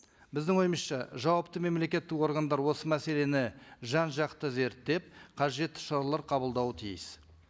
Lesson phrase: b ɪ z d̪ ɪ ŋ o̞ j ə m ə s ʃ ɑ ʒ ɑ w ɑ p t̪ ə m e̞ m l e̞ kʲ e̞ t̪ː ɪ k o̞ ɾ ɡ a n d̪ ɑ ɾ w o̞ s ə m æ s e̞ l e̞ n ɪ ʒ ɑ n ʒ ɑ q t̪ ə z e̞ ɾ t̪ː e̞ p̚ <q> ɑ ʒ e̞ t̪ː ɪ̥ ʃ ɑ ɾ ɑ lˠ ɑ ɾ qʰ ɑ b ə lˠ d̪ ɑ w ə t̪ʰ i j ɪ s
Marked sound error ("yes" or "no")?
yes